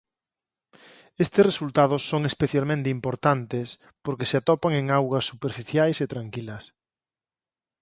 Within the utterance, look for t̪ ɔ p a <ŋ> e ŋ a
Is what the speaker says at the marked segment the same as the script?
yes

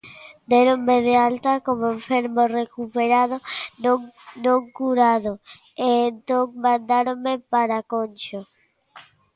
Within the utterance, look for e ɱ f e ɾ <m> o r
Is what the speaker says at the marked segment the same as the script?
yes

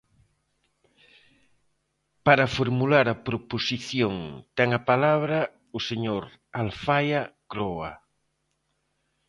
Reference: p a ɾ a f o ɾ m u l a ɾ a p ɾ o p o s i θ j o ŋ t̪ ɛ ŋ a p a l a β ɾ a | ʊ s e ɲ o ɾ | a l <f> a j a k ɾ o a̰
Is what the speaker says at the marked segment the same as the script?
yes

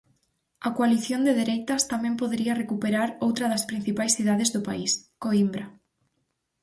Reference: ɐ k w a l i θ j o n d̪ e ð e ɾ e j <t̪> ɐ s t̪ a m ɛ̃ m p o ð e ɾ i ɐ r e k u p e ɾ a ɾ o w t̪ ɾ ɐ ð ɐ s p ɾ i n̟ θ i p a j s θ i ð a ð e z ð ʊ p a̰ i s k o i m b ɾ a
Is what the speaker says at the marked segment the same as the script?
yes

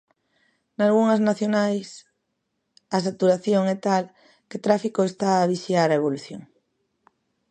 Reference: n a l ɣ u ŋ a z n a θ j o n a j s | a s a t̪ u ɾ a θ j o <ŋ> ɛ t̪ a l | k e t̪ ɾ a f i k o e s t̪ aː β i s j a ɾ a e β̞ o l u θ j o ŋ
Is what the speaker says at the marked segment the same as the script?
yes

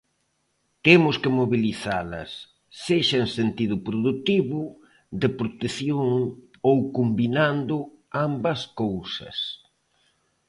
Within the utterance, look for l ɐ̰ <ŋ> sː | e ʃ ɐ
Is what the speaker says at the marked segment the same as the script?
no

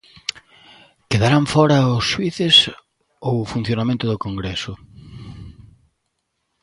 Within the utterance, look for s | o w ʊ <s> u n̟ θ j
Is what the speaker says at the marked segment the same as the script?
no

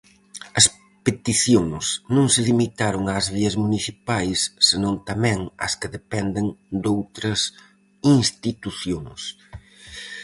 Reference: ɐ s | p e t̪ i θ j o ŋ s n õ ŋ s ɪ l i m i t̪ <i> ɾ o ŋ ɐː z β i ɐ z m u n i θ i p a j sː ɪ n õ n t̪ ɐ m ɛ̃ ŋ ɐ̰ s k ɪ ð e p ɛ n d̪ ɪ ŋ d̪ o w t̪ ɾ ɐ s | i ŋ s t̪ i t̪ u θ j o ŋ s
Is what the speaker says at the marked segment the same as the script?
no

